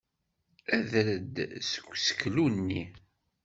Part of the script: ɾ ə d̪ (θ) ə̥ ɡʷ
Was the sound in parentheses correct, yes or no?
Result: no